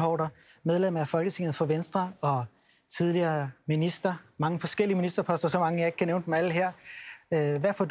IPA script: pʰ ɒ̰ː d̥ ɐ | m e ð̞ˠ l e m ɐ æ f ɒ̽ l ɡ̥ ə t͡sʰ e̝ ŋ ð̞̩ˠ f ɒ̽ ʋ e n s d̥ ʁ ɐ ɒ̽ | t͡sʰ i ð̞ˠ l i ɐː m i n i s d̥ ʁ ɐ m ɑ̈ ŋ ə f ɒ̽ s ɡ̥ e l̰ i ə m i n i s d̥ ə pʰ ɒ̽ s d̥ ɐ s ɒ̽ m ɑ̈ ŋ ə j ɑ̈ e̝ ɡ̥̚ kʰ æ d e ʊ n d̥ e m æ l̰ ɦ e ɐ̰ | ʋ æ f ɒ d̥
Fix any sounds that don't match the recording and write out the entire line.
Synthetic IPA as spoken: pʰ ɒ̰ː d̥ ɐ | m e ð̞ˠ l e m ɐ æ f ɒ̽ l ɡ̥ ə t͡sʰ e̝ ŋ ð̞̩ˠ f ɒ̽ ʋ e n s d̥ ʁ ɐ ɒ̽ | t͡sʰ i ð̞ˠ l i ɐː m i n i s d̥ ʁ ɐ m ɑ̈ ŋ ə f ɒ̽ s ɡ̥ e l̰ i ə m i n i s d̥ ɐ pʰ ɒ̽ s d̥ ɐ s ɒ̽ m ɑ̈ ŋ ə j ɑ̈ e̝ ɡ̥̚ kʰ æ n e ʊ n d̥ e m æ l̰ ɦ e ɐ̰ | ʋ æ f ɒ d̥